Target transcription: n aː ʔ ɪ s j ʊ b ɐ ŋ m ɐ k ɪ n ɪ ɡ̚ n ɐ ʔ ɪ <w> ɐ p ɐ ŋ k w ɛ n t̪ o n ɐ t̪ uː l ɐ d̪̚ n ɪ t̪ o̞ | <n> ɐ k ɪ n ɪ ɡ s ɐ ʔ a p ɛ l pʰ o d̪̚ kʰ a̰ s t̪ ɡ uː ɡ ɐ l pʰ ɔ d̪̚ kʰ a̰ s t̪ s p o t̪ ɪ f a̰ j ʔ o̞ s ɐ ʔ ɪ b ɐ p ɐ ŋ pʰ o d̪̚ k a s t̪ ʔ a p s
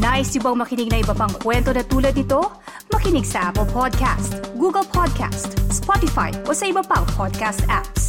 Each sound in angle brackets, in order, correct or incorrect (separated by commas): incorrect, incorrect